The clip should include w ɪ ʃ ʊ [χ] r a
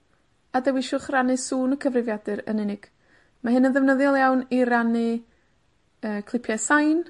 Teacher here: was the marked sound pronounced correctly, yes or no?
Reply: yes